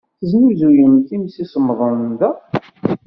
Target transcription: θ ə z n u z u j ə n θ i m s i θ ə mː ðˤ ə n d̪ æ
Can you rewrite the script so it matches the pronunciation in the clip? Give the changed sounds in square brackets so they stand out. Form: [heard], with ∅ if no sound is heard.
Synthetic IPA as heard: θ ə z n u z u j ə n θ i m s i [s] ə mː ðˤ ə n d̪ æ